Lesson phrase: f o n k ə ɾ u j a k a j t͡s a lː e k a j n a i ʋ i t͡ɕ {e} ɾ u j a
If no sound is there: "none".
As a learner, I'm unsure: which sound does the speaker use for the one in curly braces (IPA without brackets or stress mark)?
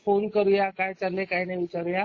a